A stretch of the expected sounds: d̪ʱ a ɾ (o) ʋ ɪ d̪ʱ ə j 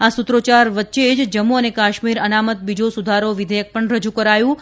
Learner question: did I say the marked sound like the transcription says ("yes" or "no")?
yes